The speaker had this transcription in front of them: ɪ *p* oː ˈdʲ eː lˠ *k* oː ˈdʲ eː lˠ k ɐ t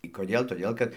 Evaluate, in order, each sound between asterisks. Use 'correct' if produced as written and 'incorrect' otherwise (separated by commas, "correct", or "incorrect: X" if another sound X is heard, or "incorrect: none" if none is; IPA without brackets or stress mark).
incorrect: k, incorrect: t